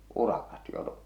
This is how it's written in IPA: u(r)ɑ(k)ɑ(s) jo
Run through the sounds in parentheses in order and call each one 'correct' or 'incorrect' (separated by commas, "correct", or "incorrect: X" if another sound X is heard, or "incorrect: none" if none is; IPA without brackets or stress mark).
correct, correct, incorrect: t